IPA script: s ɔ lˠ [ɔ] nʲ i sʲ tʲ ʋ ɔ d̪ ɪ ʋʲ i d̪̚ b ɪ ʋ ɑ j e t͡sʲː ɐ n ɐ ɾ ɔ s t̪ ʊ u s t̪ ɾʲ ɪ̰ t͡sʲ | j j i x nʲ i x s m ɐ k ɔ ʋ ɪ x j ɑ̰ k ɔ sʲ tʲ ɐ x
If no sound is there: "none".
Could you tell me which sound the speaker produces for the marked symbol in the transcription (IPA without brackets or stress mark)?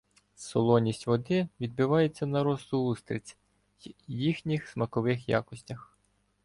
ɔ